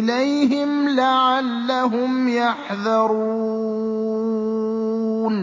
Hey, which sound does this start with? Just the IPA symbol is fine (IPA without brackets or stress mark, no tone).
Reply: l